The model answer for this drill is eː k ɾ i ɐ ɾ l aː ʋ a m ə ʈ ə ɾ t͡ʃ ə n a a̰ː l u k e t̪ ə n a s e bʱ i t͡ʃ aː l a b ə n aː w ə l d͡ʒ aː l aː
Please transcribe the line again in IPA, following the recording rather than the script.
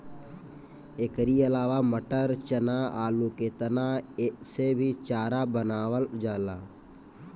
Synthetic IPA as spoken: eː k ɾ i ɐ l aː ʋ a m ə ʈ ə ɾ t͡ʃ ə n a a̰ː l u k e t̪ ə n a s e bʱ i t͡ʃ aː ɾ a b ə n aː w ə l d͡ʒ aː l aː